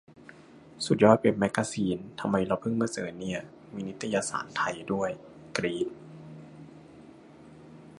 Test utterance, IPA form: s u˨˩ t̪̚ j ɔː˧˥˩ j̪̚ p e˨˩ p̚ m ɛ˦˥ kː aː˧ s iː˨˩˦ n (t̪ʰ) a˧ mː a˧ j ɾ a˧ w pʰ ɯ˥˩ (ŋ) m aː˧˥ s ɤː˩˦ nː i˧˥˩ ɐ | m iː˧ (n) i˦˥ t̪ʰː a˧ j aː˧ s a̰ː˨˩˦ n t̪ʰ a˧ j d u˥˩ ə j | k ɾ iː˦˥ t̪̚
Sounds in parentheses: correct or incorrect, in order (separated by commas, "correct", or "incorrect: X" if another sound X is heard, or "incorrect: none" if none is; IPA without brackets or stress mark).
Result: correct, correct, correct